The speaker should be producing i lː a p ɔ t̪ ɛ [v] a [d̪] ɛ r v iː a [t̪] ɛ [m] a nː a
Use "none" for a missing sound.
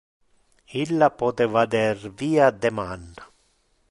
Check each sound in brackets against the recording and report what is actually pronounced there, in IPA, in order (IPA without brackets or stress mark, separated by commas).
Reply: v, d̪, d̪, m